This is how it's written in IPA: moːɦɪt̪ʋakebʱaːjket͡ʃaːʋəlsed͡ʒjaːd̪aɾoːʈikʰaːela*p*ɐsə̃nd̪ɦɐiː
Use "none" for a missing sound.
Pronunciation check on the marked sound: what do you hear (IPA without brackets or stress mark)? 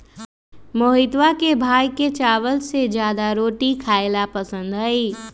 p